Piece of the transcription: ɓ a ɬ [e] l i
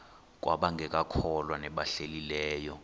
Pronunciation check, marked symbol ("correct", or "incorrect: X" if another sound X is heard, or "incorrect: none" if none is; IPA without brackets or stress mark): correct